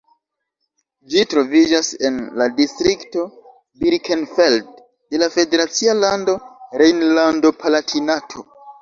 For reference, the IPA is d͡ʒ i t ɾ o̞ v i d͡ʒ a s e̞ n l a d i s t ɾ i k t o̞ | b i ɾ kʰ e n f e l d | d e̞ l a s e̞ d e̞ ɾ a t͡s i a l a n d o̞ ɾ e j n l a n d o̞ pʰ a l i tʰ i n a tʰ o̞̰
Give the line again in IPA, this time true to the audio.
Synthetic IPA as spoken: d͡ʒ i t ɾ o̞ v i d͡ʒ a s e̞ n l a d i s t ɾ i k t o̞ | b i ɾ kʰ e n f e l d | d e̞ l a f e̞ d e̞ ɾ a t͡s i a l a n d o̞ ɾ e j n l a n d o̞ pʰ a l a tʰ i n a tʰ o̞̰